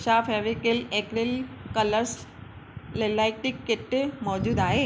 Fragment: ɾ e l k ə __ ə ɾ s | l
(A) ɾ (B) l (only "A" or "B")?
B